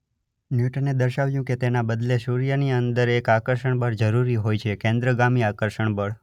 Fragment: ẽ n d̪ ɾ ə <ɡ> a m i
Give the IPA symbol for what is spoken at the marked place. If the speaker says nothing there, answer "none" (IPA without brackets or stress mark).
ɡ